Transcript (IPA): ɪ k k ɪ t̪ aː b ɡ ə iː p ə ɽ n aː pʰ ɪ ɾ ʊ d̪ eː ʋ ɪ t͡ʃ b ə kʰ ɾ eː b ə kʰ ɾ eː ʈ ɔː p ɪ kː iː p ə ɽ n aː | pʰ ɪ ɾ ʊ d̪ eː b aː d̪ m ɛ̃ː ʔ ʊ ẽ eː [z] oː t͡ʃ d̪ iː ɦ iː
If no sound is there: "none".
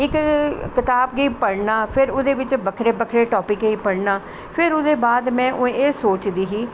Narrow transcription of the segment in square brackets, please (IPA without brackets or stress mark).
s